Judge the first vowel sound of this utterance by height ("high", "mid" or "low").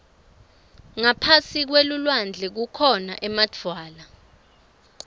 low